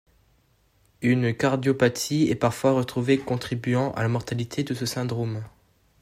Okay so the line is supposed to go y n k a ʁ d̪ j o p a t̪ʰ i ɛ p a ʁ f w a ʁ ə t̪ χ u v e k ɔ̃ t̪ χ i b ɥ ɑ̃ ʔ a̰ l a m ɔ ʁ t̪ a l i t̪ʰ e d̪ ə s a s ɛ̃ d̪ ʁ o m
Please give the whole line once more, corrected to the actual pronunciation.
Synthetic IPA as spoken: y n k a ʁ d̪ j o p a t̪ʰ i ɛ p a ʁ f w a ʁ ə t̪ χ u v e k ɔ̃ t̪ χ i b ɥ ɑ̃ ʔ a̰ l a m ɔ ʁ t̪ a l i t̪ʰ e d̪ ə s ə s ɛ̃ d̪ ʁ o m